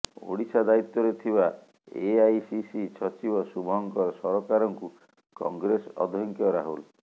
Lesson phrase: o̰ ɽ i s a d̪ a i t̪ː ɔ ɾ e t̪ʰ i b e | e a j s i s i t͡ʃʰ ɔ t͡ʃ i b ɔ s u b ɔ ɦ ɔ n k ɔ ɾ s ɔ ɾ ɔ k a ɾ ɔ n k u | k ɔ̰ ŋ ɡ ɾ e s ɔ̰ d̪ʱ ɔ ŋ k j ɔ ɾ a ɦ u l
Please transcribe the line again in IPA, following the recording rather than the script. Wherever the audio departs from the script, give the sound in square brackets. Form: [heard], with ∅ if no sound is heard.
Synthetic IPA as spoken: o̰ ɽ i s a d̪ a i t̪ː ɔ ɾ e t̪ʰ i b [a] | e a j s i s i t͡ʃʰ ɔ t͡ʃ i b ɔ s u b ɔ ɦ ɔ [ŋ] k ɔ ɾ s ɔ ɾ ɔ k a ɾ ɔ [ŋ] k u | k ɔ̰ ŋ ɡ ɾ e s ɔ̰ d̪ʱ ɔ ŋ k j ɔ ɾ a ɦ u l